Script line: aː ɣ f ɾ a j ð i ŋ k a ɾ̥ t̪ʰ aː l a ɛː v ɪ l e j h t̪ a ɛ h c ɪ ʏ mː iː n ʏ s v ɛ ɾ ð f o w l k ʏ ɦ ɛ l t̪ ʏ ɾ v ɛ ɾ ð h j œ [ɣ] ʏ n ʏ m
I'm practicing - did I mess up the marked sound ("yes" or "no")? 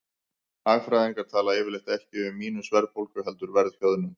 yes